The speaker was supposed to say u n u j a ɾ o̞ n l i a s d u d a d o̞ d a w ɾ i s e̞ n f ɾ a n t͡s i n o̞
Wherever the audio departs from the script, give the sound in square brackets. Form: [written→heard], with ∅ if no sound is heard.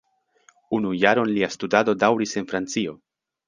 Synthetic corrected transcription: u n u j a ɾ o̞ n l i a s [d→t] u d a d o̞ d a w ɾ i s e̞ n f ɾ a n t͡s i [n→∅] o̞